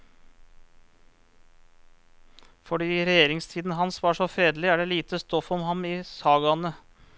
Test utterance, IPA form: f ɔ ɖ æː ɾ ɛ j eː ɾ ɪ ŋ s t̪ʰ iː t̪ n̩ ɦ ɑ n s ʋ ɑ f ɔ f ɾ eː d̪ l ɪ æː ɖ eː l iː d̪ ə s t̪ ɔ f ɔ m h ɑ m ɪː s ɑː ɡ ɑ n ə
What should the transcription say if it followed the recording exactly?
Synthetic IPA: f ɔ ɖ iː ɾ ɛ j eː ɾ ɪ ŋ s t̪ʰ iː d̪ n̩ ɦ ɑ n s ʋ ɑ ʂ ɔ f ɾ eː d̪ l ɪ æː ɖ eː l iː t̪ ə s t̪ ɔ f ɔ m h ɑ m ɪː s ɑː ɡ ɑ n ə